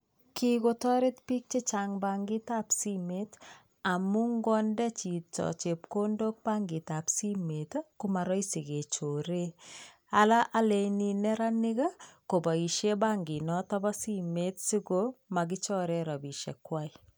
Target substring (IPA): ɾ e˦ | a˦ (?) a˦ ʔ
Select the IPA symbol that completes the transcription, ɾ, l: l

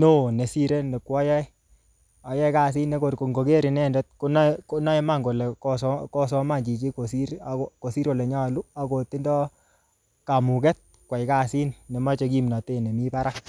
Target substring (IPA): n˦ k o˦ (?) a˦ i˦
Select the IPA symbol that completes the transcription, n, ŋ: n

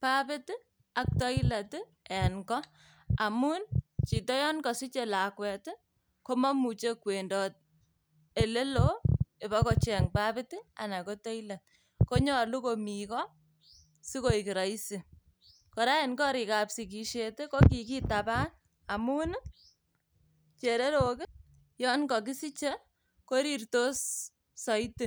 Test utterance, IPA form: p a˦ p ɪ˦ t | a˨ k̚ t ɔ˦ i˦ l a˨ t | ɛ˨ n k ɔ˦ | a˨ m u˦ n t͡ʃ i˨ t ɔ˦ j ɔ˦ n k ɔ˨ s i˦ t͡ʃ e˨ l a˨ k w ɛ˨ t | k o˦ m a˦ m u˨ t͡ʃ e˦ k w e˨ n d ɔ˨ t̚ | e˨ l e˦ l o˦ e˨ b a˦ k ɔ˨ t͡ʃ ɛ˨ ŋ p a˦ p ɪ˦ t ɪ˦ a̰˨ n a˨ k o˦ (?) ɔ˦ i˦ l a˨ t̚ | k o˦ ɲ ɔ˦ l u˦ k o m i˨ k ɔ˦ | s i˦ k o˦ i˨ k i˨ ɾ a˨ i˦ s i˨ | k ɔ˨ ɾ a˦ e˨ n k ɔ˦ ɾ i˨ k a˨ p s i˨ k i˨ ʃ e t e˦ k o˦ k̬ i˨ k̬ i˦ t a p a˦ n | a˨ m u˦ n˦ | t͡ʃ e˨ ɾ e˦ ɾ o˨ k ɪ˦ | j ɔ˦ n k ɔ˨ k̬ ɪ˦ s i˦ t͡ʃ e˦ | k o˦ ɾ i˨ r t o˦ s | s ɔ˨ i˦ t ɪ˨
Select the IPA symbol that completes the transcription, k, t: t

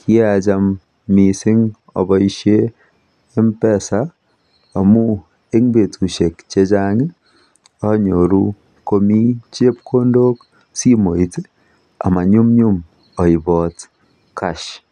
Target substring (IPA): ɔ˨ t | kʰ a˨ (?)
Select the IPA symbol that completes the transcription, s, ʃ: ʃ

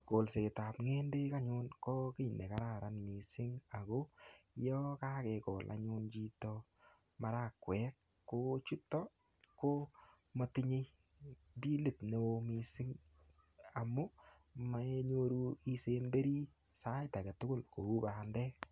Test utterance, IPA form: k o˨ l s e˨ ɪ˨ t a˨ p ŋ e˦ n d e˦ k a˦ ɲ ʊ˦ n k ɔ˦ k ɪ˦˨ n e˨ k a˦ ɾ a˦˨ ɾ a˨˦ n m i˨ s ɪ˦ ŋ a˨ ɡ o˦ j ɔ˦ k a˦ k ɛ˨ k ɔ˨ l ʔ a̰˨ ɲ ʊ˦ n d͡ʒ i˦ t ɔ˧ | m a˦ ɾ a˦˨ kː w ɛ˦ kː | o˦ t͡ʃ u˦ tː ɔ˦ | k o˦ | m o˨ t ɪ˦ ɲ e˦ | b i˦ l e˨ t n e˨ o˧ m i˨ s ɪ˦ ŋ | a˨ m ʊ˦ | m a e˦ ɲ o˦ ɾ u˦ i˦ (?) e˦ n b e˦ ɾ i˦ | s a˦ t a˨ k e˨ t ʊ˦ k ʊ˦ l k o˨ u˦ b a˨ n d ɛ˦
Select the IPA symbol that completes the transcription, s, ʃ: s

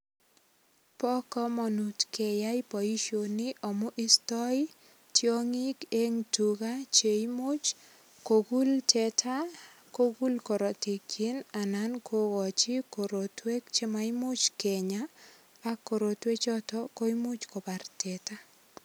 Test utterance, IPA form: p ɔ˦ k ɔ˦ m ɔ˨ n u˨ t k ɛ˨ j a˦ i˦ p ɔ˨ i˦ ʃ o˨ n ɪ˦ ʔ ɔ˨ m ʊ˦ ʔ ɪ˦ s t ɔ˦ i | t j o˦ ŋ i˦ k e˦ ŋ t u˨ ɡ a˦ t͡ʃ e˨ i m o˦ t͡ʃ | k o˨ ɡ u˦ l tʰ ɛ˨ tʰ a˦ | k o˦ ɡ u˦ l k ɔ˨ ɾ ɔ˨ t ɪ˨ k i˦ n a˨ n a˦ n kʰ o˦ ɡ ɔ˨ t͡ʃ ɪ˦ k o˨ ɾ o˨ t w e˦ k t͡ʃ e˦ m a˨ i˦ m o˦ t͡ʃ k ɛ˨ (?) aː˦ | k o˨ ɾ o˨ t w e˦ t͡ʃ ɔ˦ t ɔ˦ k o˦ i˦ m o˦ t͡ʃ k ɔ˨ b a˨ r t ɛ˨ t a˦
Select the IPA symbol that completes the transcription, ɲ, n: ɲ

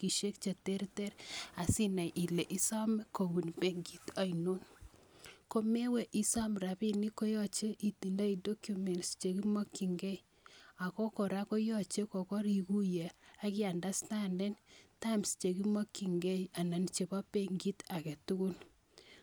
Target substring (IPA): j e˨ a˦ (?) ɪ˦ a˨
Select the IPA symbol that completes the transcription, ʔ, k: k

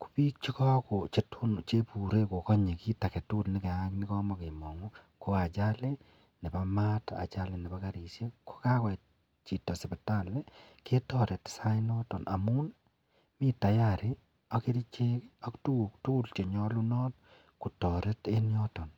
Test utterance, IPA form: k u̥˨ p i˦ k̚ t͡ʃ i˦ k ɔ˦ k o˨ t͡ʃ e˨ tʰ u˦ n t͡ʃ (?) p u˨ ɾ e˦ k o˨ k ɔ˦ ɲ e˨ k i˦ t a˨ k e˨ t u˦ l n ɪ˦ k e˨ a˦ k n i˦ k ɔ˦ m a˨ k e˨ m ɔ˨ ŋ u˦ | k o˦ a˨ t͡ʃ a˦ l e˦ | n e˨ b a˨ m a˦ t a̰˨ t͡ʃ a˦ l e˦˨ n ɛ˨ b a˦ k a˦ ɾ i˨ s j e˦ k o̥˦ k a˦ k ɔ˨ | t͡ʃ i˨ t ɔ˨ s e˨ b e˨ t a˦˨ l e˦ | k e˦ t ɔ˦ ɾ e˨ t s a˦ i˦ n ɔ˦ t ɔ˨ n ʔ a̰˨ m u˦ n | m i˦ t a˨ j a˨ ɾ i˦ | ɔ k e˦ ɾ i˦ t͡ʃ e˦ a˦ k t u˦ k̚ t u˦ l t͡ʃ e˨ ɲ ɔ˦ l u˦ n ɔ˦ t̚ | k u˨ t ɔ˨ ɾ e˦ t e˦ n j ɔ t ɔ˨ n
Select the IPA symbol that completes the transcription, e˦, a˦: e˦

